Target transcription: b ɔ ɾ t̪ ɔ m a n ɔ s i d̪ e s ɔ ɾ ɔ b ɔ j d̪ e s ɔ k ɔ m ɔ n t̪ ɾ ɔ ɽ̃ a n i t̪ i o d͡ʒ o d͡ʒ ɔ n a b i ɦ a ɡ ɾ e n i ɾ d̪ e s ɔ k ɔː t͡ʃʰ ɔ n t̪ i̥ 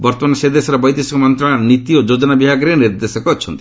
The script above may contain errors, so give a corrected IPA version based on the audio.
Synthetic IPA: b ɔ ɾ t̪ ɔ m a n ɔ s e d̪ e s ɔ ɾ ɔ b ɔ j d̪ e s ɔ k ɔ m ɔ n t̪ ɾ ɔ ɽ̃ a n i t̪ i o d͡ʒ o d͡ʒ ɔ n a b i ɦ a ɡ ɾ e n i ɾ d̪ e s ɔ k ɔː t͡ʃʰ ɔ n t̪ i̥